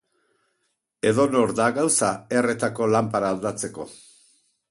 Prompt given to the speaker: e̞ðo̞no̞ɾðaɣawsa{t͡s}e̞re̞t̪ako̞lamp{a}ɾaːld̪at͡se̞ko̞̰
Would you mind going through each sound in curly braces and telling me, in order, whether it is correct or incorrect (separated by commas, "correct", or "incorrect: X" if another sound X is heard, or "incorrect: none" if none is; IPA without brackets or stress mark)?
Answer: incorrect: none, correct